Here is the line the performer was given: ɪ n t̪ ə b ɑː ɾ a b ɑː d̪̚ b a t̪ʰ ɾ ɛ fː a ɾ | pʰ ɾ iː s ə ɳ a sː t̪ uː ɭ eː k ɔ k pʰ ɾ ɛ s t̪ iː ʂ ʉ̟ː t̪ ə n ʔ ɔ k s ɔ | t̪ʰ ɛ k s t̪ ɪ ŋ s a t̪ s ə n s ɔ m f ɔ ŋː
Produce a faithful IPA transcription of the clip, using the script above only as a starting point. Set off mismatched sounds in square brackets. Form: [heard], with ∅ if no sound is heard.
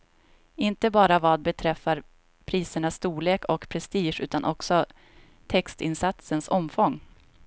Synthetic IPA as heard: ɪ n t̪ ə b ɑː ɾ a [v] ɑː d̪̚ b [ɛ] t̪ʰ ɾ ɛ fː a ɾ | pʰ ɾ iː s ə ɳ a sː t̪ uː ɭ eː k ɔ k pʰ ɾ ɛ s t̪ iː ʂ ʉ̟ː t̪ [a] n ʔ ɔ k s ɔ | t̪ʰ ɛ k s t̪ ɪ [n] s a t̪ s ə n s ɔ m f ɔ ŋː